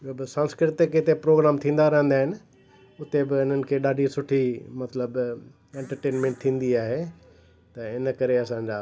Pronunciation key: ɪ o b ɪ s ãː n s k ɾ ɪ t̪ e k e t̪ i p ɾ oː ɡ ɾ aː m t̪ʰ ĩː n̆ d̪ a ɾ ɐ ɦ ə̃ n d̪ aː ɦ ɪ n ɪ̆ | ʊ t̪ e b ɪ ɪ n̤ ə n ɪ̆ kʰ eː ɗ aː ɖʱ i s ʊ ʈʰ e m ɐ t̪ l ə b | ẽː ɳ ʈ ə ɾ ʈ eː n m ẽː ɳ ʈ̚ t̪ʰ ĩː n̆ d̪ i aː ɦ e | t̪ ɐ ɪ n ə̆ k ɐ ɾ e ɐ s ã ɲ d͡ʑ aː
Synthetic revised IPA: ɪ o b ɪ s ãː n s k ɾ ɪ t̪ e k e t̪ e p ɾ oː ɡ ɾ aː m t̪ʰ ĩː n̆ d̪ a ɾ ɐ ɦ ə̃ n d̪ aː ɦ ɪ n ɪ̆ | ʊ t̪ e b ɪ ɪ n̤ ə n ɪ̆ kʰ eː ɗ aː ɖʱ i s ʊ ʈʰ i m ɐ t̪ l ə b | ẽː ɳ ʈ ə ɾ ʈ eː n m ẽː ɳ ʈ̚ t̪ʰ ĩː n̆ d̪ i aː ɦ e | t̪ ɐ ɪ n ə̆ k ɐ ɾ e ɐ s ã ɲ d͡ʑ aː